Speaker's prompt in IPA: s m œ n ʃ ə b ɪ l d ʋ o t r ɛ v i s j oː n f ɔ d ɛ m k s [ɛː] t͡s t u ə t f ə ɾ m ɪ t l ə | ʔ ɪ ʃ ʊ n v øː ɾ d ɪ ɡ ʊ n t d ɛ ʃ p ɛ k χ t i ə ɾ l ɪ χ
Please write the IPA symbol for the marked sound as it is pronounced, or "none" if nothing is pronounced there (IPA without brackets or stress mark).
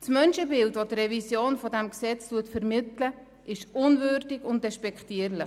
ɛ